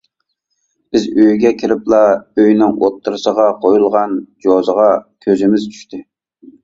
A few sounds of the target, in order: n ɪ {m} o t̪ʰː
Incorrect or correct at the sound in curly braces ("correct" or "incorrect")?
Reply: incorrect